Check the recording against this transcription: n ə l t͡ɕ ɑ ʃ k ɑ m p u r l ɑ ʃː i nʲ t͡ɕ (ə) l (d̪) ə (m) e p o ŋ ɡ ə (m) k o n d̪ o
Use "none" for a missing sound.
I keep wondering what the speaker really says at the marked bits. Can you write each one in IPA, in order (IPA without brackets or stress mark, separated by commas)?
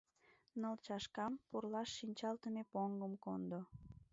ɑ, t̪, m, m